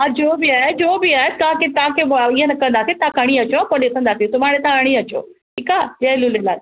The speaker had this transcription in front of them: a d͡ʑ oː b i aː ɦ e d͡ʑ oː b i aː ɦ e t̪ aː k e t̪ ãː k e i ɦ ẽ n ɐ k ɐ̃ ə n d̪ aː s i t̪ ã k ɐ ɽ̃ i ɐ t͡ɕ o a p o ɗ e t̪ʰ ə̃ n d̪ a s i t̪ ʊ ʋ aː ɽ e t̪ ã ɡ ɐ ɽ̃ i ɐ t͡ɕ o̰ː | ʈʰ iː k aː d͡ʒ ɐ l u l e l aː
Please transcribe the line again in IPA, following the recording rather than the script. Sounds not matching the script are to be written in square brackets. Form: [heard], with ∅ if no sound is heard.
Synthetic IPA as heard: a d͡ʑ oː b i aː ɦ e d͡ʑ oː b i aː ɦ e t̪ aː k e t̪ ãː k e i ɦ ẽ n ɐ k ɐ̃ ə n d̪ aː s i t̪ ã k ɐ ɽ̃ i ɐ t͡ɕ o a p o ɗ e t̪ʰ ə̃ n d̪ a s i t̪ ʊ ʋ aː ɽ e t̪ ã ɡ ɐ ɽ̃ i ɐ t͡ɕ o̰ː | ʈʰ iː k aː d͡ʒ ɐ l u l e l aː

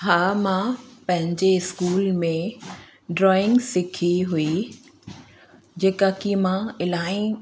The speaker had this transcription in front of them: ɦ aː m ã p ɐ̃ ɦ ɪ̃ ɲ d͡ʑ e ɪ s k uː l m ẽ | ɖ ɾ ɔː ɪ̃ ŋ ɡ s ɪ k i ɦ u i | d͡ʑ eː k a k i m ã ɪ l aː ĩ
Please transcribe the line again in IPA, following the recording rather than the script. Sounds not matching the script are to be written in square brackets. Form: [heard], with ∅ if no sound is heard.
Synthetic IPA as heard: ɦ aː m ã p ɐ̃ ɦ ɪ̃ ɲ d͡ʑ e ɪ s k uː l m ẽ | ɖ ɾ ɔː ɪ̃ ŋ ɡ s ɪ [kʰ] i ɦ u i | d͡ʑ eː k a k i m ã ɪ l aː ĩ

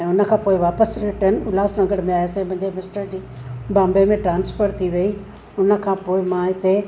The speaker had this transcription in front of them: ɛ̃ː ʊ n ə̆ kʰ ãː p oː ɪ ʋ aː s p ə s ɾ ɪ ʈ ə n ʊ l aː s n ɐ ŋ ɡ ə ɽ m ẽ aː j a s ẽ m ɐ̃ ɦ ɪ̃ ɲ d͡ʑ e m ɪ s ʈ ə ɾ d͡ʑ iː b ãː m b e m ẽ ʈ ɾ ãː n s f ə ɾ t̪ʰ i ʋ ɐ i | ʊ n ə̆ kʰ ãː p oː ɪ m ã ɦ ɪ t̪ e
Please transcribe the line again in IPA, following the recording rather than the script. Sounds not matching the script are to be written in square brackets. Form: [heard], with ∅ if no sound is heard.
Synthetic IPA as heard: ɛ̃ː ʊ n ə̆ kʰ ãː p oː ɪ ʋ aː [∅] p ə s ɾ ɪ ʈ ə n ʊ l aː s n ɐ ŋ ɡ ə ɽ m ẽ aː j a s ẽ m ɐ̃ ɦ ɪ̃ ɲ d͡ʑ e m ɪ s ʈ ə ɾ d͡ʑ iː b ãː m b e m ẽ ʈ ɾ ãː n s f ə ɾ t̪ʰ i ʋ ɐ i | ʊ n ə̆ kʰ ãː p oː ɪ m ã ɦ ɪ t̪ e

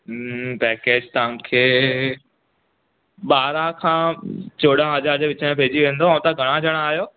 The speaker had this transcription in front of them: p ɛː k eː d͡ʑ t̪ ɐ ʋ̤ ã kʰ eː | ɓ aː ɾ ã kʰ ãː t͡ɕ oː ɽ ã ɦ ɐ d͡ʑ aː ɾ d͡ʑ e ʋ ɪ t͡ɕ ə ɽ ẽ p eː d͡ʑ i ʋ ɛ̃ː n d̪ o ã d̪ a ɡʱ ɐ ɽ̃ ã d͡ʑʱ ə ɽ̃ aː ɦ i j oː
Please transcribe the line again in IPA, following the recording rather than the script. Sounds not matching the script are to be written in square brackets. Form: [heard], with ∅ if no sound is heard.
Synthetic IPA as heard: p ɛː k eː d͡ʑ t̪ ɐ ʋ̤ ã kʰ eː | ɓ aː ɾ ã kʰ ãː t͡ɕ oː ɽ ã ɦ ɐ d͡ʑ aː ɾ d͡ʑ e ʋ ɪ t͡ɕ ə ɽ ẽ p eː d͡ʑ i ʋ [ẽː] n d̪ o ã [t̪] a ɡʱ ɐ ɽ̃ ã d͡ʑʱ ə ɽ̃ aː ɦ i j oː

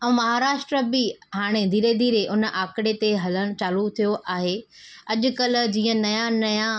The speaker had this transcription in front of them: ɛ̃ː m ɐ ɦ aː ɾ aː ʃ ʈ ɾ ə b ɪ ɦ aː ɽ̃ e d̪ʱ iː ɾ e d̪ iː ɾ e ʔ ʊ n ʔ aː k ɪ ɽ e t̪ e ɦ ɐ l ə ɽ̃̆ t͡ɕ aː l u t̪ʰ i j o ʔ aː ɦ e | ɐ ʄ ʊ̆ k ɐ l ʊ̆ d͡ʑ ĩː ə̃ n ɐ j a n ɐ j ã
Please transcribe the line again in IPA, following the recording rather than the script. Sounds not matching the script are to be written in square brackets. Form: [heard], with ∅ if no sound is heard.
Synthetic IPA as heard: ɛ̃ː m ɐ ɦ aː ɾ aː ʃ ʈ ɾ ə b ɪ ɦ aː ɽ̃ e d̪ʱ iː ɾ e d̪ iː ɾ e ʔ ʊ n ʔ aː k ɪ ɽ e t̪ e ɦ ɐ l ə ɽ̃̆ t͡ɕ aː l u t̪ʰ i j o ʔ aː ɦ e | ɐ ʄ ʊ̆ k ɐ l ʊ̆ d͡ʑ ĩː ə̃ n ɐ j a n ɐ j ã

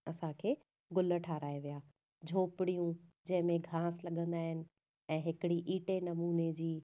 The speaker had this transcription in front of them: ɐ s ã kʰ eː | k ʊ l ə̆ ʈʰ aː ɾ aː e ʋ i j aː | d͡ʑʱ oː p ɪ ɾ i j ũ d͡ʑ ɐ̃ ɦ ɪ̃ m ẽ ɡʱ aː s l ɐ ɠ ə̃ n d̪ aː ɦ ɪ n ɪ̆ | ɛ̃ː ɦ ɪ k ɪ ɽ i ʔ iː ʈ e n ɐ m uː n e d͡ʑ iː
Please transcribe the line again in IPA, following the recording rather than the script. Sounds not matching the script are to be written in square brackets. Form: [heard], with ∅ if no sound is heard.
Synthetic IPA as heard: ɐ s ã kʰ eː | [ɡ] ʊ l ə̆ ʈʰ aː ɾ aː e ʋ i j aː | d͡ʑʱ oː p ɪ [ɽ] i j ũ d͡ʑ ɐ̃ ɦ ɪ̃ m ẽ ɡʱ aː s l ɐ ɠ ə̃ n d̪ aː ɦ ɪ n ɪ̆ | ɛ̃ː ɦ ɪ k ɪ ɽ i ʔ iː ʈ e n ɐ m uː n e d͡ʑ iː

